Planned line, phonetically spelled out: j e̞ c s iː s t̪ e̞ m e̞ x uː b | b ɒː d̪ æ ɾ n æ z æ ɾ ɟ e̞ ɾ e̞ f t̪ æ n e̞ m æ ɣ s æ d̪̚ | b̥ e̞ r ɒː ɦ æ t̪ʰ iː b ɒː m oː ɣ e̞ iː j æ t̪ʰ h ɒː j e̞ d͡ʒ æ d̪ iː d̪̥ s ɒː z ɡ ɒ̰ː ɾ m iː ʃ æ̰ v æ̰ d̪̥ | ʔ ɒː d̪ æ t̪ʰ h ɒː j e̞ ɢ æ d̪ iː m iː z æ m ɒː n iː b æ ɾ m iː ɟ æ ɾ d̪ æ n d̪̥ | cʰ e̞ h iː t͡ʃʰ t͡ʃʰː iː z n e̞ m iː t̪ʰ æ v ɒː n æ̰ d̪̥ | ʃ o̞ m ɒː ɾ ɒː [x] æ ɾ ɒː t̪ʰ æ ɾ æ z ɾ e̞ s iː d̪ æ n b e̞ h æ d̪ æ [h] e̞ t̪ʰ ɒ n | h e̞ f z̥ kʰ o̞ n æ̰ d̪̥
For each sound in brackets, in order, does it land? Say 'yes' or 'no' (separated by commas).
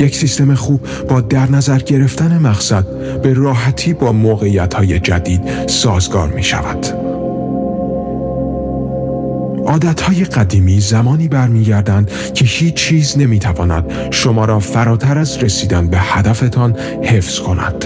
no, no